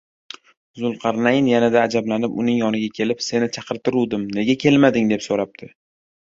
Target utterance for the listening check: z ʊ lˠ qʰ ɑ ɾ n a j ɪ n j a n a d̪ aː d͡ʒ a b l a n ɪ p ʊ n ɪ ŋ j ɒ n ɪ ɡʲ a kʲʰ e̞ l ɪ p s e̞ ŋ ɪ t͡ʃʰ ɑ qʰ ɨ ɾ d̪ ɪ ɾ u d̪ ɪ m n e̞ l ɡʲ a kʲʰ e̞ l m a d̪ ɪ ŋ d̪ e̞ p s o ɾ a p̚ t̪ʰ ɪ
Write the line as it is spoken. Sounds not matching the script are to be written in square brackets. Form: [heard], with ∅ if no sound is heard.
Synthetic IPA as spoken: z ʊ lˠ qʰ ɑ ɾ n a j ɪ n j a n a d̪ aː d͡ʒ a b l a n ɪ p ʊ n ɪ ŋ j ɒ n ɪ ɡʲ a kʲʰ e̞ l ɪ p s e̞ [n] ɪ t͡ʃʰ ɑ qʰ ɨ ɾ [t̪] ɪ ɾ u d̪ ɪ m n e̞ [∅] ɡʲ a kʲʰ e̞ l m a d̪ ɪ ŋ d̪ e̞ p s o ɾ a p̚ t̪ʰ ɪ